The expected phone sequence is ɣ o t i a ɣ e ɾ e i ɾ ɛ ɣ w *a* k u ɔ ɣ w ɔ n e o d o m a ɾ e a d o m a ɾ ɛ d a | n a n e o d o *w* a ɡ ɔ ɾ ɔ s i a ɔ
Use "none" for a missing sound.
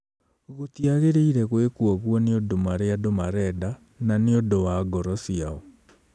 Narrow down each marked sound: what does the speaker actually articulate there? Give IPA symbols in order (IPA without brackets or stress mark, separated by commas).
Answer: e, w